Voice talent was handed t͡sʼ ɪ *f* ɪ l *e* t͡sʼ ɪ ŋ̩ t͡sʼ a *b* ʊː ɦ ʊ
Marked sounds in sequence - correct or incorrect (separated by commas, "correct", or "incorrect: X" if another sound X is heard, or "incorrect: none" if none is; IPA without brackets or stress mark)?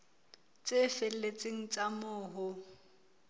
correct, correct, incorrect: m